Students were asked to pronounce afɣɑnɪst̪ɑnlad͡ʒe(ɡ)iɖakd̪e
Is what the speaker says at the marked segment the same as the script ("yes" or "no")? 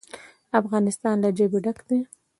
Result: no